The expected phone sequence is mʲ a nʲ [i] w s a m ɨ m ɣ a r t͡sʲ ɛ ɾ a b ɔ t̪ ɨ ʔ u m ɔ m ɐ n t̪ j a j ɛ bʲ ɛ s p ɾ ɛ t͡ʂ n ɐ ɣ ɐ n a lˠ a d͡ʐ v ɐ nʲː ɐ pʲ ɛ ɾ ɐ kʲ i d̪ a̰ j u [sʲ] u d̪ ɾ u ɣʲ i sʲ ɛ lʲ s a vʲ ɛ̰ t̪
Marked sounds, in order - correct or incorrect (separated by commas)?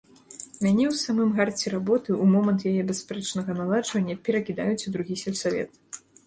incorrect, incorrect